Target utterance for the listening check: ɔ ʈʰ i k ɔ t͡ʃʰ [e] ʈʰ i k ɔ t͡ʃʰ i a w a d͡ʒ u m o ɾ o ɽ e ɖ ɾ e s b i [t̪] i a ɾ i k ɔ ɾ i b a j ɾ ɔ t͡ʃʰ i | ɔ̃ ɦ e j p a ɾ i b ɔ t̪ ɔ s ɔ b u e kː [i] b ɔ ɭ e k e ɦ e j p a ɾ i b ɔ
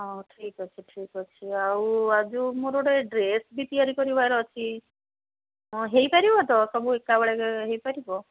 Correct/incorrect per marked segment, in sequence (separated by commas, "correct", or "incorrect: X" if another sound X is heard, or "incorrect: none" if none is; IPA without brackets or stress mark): incorrect: i, correct, incorrect: a